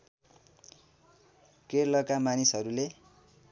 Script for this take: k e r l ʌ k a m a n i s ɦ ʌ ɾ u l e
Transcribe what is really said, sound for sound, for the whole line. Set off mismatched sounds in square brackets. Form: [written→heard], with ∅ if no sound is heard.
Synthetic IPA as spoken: k e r l ʌ k a m a n i s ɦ ʌ ɾ u l e